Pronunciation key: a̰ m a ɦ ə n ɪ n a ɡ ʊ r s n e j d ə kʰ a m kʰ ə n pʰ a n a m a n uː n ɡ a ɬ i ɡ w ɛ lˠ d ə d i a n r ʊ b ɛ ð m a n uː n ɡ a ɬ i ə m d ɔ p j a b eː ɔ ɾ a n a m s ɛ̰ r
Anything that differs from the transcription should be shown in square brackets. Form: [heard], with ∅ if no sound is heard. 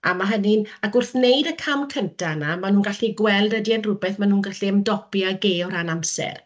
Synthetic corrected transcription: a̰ m a ɦ ə n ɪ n a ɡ ʊ r [θ] n e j d ə kʰ a m kʰ ə n [tʰ] a n a m a n uː n ɡ a ɬ i ɡ w ɛ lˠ d ə d i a n r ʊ b ɛ [θ] m a n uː n ɡ a ɬ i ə m d ɔ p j a [ɡ] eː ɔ ɾ a n a m s ɛ̰ r

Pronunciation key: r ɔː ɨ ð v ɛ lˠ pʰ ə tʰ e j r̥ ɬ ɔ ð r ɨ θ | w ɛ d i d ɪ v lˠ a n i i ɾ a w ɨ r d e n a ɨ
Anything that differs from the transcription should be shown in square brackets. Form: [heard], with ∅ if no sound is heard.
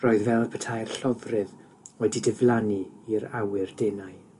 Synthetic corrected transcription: r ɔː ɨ ð v ɛ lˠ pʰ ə tʰ [a] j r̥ ɬ ɔ [v] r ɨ [ð] | w ɛ d i d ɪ v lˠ a n i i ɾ a w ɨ r d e n a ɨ

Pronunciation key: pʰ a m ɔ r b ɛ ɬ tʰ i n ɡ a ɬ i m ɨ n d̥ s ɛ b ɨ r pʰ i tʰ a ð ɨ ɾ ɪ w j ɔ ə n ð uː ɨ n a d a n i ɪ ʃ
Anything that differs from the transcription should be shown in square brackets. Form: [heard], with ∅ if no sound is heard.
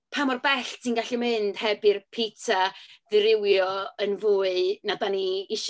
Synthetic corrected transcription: pʰ a m ɔ r b ɛ ɬ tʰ i n ɡ a ɬ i m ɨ n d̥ [h] ɛ b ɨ r pʰ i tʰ a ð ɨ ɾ ɪ w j ɔ ə n [v] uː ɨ n a d a n i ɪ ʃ

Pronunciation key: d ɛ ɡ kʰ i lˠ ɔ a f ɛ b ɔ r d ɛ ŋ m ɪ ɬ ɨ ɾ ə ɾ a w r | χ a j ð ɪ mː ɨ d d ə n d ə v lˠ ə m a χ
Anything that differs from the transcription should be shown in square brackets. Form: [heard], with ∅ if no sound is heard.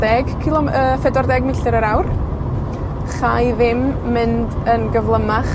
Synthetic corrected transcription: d ɛ ɡ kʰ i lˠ ɔ [ə] f ɛ [d] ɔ r d ɛ [ɡ] m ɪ ɬ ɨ ɾ ə ɾ a w r | χ a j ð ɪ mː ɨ [n] d ə n [ɡ] ə v lˠ ə m a χ

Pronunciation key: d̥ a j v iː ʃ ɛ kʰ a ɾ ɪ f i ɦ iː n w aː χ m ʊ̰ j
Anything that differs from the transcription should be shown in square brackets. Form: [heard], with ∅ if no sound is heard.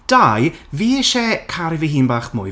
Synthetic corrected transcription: d̥ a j v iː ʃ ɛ kʰ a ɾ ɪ [v] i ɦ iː n [b] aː χ m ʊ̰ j

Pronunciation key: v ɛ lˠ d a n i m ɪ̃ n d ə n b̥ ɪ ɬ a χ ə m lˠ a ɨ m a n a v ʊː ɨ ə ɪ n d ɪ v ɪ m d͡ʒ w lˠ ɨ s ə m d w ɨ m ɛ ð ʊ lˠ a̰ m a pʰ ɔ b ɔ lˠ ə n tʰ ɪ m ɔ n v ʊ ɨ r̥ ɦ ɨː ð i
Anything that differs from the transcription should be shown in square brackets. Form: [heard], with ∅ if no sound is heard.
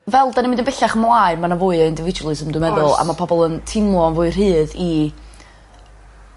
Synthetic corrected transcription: v ɛ lˠ d a n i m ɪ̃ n d ə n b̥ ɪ ɬ a χ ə m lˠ a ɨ m a n a v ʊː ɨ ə ɪ n d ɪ v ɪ [∅] d͡ʒ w lˠ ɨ s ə m d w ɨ m ɛ ð ʊ lˠ a̰ m a pʰ ɔ b ɔ lˠ ə n tʰ ɪ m ɔ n v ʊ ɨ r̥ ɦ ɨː ð i

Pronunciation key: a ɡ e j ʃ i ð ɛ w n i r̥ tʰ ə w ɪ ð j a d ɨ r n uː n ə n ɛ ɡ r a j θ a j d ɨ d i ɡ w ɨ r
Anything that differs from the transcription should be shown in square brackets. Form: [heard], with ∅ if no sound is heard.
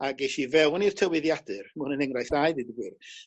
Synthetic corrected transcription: a ɡ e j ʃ i [v] ɛ w n i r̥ tʰ ə w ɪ ð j a d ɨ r [m] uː n ə n ɛ [ŋ] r a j θ a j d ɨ d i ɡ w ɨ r

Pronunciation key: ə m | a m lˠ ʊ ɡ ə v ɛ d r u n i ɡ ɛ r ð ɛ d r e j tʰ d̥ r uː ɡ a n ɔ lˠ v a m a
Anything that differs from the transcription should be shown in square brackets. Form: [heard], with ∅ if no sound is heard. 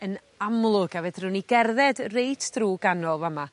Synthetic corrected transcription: ə [n] | a m lˠ ʊ ɡ [a] v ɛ d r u n i ɡ ɛ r ð ɛ d r e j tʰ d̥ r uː ɡ a n ɔ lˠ v a m a

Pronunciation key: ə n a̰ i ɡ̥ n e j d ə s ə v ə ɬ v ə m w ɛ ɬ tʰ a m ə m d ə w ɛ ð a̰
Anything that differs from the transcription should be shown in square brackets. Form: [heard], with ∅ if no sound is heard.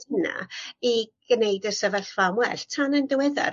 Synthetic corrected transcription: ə n a̰ i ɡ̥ n e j d ə s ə v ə ɬ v [a] m w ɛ ɬ tʰ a [n] ə [n] d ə w ɛ ð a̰

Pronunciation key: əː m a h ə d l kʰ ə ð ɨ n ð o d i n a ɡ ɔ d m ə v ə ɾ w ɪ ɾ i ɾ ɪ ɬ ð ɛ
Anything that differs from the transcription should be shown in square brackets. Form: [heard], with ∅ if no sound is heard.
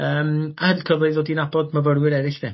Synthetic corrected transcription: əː m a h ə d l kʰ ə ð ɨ [∅] ð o d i n a [b] ɔ d m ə v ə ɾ w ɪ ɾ [ɛ] ɾ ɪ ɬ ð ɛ

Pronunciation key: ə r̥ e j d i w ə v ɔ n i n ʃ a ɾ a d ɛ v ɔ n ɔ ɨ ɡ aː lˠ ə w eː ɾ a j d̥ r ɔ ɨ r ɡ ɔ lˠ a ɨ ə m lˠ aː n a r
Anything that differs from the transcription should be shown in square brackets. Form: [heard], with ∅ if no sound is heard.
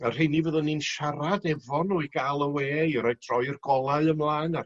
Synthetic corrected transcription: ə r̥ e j [n] i [v] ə [ð] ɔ n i n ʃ a ɾ a d ɛ v ɔ n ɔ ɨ ɡ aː lˠ ə w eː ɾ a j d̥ r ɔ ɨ r ɡ ɔ lˠ a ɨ ə m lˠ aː n a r

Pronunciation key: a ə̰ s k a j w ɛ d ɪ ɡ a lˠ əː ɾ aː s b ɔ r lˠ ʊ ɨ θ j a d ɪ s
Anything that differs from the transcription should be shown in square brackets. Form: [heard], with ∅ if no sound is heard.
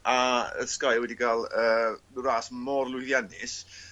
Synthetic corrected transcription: a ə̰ s k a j w ɛ d [i] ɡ a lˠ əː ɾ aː s [m] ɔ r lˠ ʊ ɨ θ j a [n] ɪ s

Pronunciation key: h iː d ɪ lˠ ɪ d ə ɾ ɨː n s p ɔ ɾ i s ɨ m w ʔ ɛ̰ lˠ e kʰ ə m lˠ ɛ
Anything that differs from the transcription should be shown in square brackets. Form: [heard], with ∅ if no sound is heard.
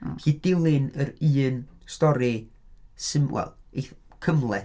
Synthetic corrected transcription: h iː d ɪ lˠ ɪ [n] ə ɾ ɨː n s [t] ɔ ɾ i s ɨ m w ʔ ɛ̰ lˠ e kʰ ə m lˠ ɛ

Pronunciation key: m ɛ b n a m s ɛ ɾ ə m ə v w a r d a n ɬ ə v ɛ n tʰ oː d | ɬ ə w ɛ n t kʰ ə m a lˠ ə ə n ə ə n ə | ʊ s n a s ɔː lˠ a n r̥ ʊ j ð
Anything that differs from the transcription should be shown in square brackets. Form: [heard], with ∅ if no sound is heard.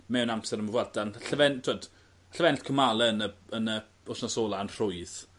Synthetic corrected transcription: m ɛ [w] n a m s ɛ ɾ ə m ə v w a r d a n ɬ ə v ɛ n tʰ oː d | ɬ ə [v] ɛ n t kʰ ə m a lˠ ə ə n ə ə n ə | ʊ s n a s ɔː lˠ a n r̥ ʊ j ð

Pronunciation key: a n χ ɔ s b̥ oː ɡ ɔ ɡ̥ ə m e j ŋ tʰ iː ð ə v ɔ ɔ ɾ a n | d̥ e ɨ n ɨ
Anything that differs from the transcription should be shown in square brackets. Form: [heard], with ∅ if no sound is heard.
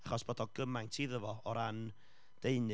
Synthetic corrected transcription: a [∅] χ ɔ s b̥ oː [d] ɔ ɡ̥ ə m [a] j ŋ tʰ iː ð ə v ɔ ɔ ɾ a n | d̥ e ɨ n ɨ

